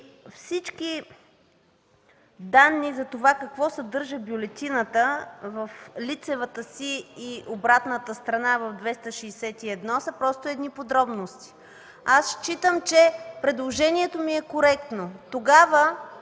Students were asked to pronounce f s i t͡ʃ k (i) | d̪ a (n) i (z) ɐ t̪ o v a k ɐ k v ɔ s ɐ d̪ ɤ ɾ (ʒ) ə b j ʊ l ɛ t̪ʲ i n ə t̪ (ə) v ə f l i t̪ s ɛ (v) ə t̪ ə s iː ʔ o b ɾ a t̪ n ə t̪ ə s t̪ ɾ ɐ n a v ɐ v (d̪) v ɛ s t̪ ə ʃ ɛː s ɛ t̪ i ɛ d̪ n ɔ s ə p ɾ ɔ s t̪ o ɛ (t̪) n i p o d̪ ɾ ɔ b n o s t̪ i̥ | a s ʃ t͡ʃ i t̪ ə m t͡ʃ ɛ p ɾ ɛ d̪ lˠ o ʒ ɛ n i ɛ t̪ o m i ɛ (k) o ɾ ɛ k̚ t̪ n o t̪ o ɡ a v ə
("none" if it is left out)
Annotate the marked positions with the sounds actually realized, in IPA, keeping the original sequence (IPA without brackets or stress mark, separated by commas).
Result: i, nː, z, ʒ, ə, v, d̪, d̪, k